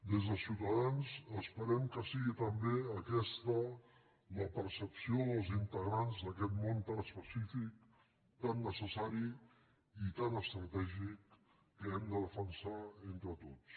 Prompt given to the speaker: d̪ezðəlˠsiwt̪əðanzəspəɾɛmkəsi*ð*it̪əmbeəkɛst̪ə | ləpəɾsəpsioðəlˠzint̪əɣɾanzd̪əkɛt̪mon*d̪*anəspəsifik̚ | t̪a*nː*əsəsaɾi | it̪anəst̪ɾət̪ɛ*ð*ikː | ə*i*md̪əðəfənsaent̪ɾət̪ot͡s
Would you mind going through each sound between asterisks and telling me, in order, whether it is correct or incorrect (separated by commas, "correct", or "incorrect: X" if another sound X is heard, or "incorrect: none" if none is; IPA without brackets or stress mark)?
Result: incorrect: ɣ, incorrect: t̪, correct, incorrect: ʒ, incorrect: ɛ